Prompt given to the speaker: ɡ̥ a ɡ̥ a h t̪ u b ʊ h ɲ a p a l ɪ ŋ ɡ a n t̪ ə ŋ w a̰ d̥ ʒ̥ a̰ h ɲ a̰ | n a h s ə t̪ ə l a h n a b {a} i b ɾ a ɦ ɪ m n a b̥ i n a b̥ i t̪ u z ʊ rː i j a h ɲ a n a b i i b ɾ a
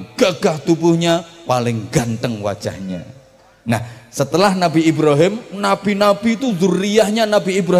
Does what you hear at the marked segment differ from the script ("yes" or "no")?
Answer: yes